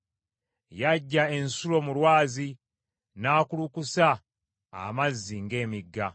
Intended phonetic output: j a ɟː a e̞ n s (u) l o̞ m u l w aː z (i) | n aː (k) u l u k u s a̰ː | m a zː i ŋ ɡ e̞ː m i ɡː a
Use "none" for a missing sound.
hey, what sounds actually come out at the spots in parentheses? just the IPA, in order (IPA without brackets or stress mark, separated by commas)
u, i, k